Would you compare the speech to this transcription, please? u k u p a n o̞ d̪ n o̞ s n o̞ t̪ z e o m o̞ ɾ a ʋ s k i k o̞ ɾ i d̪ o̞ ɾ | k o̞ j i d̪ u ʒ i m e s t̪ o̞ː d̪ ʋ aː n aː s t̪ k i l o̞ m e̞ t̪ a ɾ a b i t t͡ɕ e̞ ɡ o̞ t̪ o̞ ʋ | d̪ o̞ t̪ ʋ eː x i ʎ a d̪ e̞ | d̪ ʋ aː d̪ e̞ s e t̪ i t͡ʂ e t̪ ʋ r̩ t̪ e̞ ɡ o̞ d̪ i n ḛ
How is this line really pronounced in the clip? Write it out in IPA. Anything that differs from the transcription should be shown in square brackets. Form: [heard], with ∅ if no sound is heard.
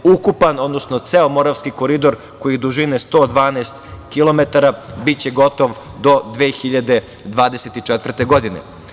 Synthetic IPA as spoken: u k u p a n o̞ d̪ n o̞ s n o̞ t̪ [s] e o m o̞ ɾ a ʋ s k i k o̞ ɾ i d̪ o̞ ɾ | k o̞ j i d̪ u ʒ i [n] e s t̪ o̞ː d̪ ʋ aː n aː s t̪ k i l o̞ m e̞ t̪ a ɾ a b i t t͡ɕ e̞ ɡ o̞ t̪ o̞ ʋ | d̪ o̞ [d̪] ʋ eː x i ʎ a d̪ e̞ | d̪ ʋ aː d̪ e̞ s e t̪ i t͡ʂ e t̪ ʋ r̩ t̪ e̞ ɡ o̞ d̪ i n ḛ

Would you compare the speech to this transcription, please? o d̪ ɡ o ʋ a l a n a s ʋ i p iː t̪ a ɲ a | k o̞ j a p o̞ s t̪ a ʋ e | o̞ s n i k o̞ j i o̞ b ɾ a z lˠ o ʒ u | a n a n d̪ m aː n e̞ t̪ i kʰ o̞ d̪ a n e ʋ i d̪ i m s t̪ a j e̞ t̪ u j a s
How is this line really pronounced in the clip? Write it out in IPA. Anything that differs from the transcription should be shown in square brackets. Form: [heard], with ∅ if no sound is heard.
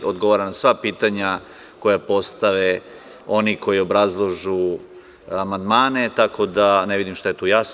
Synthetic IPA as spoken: o d̪ ɡ o ʋ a [ɾ] a n a s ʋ [a] p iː t̪ a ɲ a | k o̞ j a p o̞ s t̪ a ʋ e | o̞ [∅] n i k o̞ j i o̞ b ɾ a z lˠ o ʒ u | a [m] a n d̪ m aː n e̞ t̪ [a] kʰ o̞ d̪ a n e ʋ i d̪ i m [ʃ] t̪ a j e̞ t̪ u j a s

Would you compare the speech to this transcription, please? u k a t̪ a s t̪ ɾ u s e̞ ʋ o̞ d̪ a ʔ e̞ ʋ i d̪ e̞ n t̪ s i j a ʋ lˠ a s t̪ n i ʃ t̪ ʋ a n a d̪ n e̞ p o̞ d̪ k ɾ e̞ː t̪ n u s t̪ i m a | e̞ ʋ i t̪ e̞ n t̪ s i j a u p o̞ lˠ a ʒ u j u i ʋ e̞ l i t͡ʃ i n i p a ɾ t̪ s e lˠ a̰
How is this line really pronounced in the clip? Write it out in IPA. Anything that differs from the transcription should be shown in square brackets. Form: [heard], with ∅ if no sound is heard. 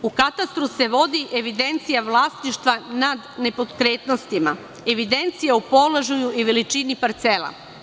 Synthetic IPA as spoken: u k a t̪ a s t̪ ɾ u s e̞ ʋ o̞ d̪ [i] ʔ e̞ ʋ i d̪ e̞ n t̪ s i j a ʋ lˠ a s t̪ n i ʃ t̪ ʋ a n a d̪ n e̞ p o̞ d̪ k ɾ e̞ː t̪ n [o] s t̪ i m a | e̞ ʋ i [d̪] e̞ n t̪ s i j a u p o̞ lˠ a ʒ u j u i ʋ e̞ l i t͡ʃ i n i p a ɾ t̪ s e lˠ a̰

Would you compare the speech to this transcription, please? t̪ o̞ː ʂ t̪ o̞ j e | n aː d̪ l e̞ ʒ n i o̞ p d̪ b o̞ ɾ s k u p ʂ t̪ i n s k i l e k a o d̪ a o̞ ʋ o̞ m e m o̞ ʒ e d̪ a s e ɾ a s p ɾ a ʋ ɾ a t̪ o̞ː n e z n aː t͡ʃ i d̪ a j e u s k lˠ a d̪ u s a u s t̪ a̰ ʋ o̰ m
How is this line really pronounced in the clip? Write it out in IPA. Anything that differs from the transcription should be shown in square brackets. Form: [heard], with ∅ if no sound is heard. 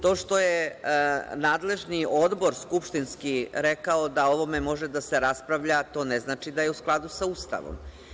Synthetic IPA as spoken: t̪ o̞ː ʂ t̪ o̞ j e | n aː d̪ l e̞ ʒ n i o̞ [∅] d̪ b o̞ ɾ s k u p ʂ t̪ i n s k i [ɾ] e k a o d̪ a o̞ ʋ o̞ m e m o̞ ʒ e d̪ a s e ɾ a s p ɾ a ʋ [ʎ] a t̪ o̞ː n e z n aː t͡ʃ i d̪ a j e u s k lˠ a d̪ u s a u s t̪ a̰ ʋ o̰ m

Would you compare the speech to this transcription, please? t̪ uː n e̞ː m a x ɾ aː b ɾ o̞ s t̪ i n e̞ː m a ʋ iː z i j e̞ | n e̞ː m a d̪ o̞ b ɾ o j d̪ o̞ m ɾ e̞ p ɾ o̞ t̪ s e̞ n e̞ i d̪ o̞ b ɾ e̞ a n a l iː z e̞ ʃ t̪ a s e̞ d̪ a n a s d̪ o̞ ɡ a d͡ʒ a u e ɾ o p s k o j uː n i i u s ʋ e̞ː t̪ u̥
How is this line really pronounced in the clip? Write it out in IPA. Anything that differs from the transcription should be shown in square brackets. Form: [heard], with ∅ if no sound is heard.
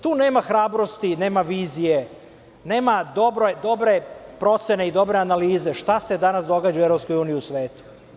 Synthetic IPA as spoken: t̪ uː n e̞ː m a x ɾ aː b ɾ o̞ s t̪ i n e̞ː m a ʋ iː z i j e̞ | n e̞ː m a d̪ o̞ b ɾ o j d̪ o̞ [b] ɾ e̞ p ɾ o̞ t̪ s e̞ n e̞ i d̪ o̞ b ɾ e̞ a n a l iː z e̞ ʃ t̪ a s e̞ d̪ a n a s d̪ o̞ ɡ a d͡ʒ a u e ɾ o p s k o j uː n i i u s ʋ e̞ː t̪ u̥

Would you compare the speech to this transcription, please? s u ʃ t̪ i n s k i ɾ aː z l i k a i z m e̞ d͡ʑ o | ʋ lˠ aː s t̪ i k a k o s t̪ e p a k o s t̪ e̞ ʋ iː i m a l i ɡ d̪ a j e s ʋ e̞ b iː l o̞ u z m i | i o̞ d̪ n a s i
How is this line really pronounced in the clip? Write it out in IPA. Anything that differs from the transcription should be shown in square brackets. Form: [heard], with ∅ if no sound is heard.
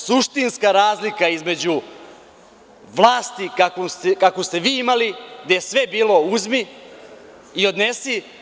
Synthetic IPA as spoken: s u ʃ t̪ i n s k [a] ɾ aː z l i k a i z m e̞ d͡ʑ [u] | ʋ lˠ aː s t̪ i k a k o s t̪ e [k] a k o s t̪ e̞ ʋ iː i m a l i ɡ d̪ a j e s ʋ e̞ b iː l o̞ u z m i | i o̞ d̪ n [e] s i

